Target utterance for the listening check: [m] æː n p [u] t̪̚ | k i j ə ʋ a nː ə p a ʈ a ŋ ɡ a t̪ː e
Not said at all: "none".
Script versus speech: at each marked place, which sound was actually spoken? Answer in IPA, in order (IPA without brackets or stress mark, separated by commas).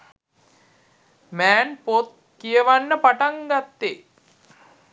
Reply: m, o